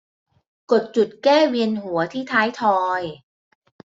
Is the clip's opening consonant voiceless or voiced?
voiceless